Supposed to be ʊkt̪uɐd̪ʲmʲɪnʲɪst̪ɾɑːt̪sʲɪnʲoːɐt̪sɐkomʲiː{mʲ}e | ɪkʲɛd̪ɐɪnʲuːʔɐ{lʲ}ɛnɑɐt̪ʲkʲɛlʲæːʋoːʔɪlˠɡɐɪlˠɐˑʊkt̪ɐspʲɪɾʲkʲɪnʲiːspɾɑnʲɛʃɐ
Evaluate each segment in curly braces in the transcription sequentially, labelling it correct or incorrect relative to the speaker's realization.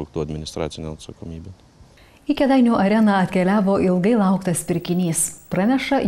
incorrect: bʲ, incorrect: ɾʲ

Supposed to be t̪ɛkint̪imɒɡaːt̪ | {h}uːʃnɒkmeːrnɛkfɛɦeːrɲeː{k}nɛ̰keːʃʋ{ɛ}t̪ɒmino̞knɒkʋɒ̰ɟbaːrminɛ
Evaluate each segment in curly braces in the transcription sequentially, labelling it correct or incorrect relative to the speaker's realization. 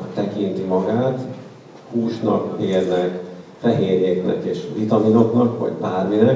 correct, correct, incorrect: i

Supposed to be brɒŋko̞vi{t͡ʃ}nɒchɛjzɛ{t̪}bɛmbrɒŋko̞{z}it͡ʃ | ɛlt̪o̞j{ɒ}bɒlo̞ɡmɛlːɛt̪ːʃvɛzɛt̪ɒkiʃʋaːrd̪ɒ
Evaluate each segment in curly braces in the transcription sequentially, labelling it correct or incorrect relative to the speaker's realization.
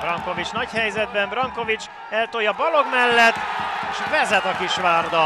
correct, incorrect: d̪, incorrect: v, correct

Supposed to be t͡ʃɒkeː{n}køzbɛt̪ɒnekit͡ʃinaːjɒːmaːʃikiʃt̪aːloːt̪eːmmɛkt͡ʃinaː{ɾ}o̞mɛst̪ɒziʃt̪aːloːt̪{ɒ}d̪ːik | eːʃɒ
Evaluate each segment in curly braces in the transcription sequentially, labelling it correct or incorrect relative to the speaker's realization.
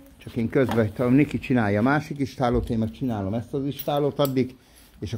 incorrect: ŋ, incorrect: l, correct

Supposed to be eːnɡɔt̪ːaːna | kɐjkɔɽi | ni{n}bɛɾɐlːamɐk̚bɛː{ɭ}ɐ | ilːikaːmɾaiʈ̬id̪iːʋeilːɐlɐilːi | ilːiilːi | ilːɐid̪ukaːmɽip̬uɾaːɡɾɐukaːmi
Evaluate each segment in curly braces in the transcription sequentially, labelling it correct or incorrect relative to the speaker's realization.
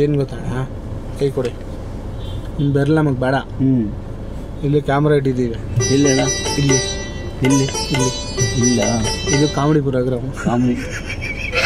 incorrect: m, incorrect: ɽ

